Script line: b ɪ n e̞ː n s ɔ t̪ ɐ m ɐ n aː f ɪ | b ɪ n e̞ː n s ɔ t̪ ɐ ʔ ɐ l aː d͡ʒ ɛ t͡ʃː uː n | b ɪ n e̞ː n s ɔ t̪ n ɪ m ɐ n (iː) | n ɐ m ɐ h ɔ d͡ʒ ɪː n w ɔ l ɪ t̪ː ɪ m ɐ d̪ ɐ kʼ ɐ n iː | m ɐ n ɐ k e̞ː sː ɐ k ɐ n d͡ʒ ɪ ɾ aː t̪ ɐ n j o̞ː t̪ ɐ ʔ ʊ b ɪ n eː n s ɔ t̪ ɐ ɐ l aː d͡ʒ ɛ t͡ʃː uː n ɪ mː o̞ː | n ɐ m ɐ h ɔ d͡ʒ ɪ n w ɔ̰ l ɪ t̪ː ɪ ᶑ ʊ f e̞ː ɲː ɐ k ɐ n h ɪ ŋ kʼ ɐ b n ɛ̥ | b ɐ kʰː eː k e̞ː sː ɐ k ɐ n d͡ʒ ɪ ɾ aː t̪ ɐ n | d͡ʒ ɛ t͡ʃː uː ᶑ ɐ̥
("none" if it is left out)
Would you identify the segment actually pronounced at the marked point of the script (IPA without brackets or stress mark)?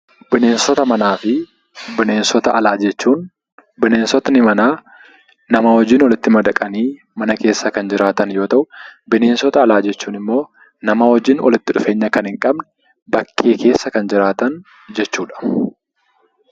aː